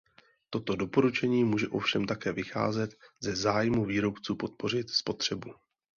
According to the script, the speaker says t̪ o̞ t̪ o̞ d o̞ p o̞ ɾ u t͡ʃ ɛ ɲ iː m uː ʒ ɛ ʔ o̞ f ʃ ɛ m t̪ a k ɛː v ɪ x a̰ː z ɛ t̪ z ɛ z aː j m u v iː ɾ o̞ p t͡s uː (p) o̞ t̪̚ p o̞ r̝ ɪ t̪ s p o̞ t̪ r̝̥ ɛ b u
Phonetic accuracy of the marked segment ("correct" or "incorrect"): correct